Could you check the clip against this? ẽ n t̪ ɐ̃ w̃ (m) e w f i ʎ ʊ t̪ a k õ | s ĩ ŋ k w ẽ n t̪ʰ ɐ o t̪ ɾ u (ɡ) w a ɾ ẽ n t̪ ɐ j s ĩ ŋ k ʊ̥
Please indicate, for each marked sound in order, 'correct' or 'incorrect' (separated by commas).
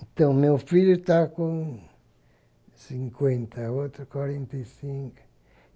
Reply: correct, incorrect